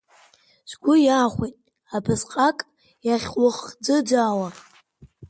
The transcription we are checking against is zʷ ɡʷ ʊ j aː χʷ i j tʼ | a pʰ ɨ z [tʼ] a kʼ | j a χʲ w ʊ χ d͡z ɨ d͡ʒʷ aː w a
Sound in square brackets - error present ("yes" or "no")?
yes